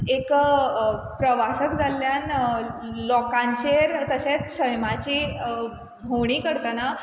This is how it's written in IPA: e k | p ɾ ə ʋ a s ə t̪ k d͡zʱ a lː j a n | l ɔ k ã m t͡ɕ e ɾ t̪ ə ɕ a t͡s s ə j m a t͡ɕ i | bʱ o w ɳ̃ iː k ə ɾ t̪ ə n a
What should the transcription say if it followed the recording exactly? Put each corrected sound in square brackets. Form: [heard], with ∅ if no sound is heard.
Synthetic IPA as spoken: e k | p ɾ ə ʋ a s ə [∅] k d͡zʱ a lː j a n | l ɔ k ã [ɲ] t͡ɕ e ɾ t̪ ə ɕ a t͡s s ə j m a t͡ɕ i | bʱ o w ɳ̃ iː k ə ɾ t̪ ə n a